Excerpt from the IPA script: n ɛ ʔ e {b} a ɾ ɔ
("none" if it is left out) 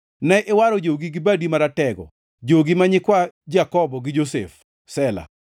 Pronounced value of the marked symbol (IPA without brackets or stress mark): w